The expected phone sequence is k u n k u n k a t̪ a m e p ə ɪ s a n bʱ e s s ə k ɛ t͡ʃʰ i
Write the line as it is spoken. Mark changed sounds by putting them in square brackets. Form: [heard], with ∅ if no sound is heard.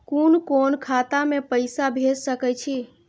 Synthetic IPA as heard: k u n k [o] n [kʰ] a t̪ a m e p ə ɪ s a [∅] bʱ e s s ə k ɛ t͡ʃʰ i